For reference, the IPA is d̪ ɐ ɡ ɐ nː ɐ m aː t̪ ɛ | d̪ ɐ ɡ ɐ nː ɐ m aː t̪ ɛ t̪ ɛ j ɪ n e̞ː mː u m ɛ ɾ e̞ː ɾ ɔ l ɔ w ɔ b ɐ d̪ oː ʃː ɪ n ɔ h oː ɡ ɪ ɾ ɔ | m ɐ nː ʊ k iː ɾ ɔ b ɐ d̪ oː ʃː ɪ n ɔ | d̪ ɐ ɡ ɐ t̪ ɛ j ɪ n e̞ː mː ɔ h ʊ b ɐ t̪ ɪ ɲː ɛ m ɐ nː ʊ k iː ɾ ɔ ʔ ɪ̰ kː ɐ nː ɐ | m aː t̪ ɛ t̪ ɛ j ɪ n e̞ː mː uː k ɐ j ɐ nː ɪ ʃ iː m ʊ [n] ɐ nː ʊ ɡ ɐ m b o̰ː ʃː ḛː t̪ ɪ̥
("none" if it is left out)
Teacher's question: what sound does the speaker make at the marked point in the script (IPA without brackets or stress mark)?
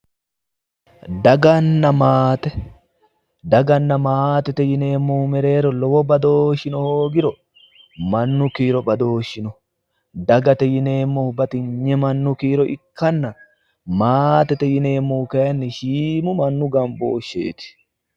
m